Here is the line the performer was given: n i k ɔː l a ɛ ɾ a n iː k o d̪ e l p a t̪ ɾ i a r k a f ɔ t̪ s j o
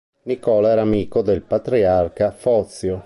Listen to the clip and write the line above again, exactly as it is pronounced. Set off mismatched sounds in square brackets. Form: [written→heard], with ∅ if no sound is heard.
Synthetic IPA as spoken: n i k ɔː l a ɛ ɾ a [n→m] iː k o d̪ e l p a t̪ ɾ i a r k a f ɔ t̪ s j o